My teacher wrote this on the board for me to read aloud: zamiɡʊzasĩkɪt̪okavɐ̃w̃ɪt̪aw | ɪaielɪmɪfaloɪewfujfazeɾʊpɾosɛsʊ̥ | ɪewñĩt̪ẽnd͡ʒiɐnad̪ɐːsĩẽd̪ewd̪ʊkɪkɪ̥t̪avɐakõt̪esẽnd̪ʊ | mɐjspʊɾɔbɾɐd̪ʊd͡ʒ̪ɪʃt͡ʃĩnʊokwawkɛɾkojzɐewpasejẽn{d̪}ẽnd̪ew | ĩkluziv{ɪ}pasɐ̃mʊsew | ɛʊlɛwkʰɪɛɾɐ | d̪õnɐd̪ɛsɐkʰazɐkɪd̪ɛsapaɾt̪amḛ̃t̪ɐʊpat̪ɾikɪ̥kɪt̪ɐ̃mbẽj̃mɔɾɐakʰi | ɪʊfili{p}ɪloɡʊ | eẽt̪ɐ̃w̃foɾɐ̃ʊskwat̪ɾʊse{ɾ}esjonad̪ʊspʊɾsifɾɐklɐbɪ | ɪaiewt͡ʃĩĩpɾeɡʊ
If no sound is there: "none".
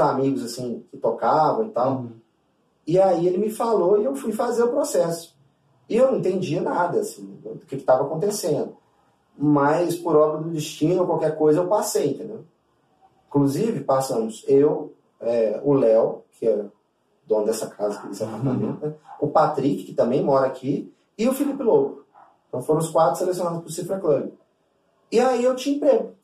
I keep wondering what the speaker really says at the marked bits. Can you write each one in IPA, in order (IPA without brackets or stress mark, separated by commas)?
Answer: t̪, ɪ, p, l